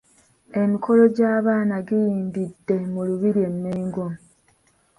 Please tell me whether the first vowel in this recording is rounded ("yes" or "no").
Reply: no